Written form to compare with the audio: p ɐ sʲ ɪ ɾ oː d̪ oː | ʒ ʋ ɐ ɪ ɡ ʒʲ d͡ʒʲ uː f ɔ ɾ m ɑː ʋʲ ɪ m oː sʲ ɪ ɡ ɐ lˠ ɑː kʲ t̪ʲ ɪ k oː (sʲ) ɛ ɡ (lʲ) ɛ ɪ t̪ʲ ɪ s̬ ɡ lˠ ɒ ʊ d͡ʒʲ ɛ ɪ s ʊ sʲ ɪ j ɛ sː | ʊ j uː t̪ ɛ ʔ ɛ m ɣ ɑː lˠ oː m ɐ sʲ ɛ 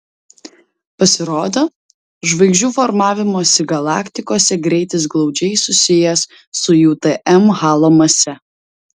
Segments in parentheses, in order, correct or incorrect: correct, incorrect: ɾʲ

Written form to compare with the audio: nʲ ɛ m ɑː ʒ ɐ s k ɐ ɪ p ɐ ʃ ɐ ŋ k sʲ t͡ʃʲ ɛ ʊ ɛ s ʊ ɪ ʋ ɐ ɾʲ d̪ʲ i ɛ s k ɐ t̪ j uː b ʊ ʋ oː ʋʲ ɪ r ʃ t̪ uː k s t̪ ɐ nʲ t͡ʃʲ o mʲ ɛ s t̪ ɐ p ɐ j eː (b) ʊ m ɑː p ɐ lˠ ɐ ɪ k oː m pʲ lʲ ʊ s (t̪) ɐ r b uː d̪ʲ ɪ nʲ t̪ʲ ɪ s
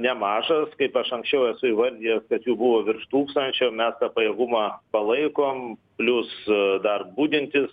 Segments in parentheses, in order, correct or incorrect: incorrect: ɡ, incorrect: d̪

